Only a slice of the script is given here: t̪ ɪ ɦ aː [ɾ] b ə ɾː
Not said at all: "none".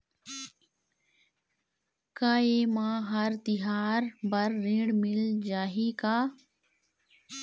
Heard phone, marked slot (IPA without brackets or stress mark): ɾ